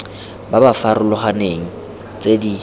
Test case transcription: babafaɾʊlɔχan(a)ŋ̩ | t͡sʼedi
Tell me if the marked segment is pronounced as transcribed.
no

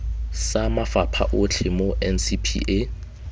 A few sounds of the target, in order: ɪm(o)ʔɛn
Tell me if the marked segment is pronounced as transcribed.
yes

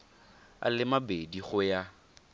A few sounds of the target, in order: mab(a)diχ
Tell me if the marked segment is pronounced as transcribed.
no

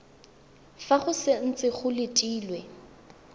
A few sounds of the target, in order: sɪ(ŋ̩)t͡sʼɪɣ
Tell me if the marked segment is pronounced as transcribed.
no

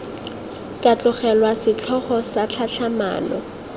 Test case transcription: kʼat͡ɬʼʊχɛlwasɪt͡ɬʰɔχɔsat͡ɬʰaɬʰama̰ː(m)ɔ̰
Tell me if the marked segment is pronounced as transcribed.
no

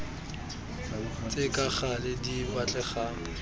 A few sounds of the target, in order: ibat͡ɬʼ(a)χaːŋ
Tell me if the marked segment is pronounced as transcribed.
no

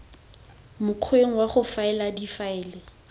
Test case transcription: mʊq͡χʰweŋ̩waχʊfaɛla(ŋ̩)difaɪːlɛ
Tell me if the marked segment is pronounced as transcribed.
no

